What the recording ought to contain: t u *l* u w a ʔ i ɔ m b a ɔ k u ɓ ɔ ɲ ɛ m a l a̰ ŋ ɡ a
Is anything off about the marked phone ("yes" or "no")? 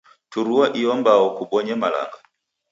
yes